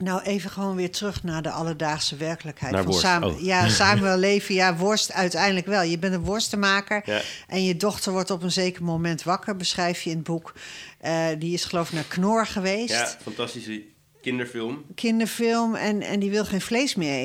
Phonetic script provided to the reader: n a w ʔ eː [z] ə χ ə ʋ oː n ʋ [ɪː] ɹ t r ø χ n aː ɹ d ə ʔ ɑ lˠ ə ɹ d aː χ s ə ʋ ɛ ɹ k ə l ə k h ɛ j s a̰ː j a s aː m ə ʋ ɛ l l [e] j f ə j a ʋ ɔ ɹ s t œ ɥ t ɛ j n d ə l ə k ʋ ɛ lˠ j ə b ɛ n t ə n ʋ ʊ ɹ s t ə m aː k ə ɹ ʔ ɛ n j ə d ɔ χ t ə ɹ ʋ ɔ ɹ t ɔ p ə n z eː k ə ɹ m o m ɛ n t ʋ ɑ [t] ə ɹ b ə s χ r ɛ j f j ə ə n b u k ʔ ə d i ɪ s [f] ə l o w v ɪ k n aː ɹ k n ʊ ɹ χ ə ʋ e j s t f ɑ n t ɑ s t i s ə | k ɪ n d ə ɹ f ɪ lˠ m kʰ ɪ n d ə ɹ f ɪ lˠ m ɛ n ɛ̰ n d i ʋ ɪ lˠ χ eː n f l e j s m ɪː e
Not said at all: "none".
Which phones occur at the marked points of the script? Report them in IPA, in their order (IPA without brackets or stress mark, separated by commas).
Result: v, ɪː, e, k, χ